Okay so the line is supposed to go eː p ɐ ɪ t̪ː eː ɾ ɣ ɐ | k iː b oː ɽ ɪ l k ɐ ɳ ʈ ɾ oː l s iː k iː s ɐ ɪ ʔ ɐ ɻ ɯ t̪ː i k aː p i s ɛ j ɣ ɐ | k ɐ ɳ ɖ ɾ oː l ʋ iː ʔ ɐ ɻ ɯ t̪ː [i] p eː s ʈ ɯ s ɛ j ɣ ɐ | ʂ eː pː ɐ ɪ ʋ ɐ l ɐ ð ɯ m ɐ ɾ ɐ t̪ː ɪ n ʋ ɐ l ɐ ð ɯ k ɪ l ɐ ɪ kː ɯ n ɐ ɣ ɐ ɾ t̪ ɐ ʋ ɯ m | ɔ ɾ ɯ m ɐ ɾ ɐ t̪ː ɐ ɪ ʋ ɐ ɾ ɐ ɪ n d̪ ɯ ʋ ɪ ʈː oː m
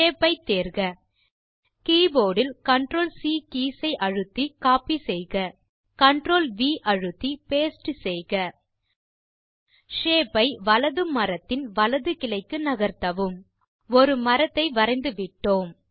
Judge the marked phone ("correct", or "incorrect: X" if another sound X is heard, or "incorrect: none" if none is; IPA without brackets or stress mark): correct